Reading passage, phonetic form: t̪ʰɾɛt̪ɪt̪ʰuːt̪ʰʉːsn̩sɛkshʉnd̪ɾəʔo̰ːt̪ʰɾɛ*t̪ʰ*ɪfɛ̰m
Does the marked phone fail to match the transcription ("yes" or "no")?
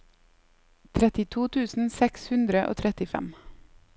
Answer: yes